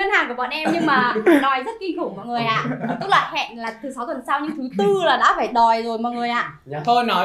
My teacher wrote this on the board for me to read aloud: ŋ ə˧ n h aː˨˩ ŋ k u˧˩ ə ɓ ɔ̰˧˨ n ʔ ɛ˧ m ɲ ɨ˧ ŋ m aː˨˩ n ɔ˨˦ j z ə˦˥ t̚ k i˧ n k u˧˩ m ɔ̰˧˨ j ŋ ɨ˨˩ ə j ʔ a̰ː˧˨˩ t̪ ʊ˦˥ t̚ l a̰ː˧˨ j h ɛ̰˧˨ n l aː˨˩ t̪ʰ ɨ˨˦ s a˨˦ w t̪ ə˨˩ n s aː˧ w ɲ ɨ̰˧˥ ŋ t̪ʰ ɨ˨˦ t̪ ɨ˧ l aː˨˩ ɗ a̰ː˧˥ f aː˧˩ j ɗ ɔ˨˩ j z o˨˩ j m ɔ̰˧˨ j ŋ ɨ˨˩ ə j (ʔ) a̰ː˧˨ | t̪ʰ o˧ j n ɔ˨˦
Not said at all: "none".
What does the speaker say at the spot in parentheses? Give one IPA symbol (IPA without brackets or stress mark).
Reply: ʔ